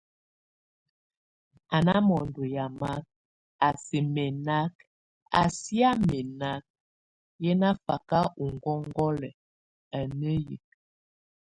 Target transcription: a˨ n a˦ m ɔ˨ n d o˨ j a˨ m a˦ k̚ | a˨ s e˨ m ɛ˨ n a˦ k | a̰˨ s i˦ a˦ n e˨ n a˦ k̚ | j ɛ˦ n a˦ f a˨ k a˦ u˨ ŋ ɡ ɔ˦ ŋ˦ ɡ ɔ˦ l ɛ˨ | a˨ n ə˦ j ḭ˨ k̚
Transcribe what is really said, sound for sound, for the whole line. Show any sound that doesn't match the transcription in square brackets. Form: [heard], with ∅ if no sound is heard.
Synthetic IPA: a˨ n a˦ m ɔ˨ n d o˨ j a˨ m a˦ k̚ | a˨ s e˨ m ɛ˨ n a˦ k | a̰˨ s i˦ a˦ [m] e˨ n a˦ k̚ | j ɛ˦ n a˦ f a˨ k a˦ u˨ ŋ ɡ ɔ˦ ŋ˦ ɡ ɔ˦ l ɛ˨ | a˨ n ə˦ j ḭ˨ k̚